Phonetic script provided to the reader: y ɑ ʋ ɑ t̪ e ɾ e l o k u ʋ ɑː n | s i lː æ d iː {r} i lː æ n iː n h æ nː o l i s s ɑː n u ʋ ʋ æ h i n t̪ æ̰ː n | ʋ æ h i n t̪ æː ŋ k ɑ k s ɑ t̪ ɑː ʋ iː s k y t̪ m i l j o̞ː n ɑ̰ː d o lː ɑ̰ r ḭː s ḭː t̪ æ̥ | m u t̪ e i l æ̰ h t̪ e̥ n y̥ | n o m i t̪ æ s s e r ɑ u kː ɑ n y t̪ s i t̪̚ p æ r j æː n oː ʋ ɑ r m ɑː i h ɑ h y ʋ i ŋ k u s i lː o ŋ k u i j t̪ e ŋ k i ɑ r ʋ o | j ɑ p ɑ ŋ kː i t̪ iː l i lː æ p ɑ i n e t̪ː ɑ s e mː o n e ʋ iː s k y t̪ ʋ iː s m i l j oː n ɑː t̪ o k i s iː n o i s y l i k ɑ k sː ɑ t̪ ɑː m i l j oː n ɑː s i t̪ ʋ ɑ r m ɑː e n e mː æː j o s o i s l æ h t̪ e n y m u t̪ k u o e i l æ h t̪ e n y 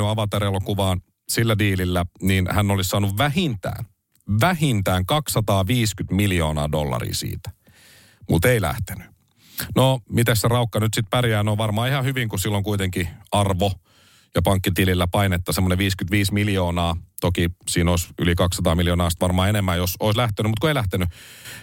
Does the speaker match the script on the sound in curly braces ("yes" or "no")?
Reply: no